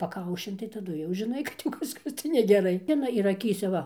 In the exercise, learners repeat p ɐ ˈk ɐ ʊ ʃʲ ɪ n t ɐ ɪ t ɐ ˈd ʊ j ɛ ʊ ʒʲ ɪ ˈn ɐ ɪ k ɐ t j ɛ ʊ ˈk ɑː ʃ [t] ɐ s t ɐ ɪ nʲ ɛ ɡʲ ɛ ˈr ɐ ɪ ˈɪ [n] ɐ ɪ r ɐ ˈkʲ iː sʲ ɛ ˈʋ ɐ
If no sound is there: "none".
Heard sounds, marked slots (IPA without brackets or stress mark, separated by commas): k, n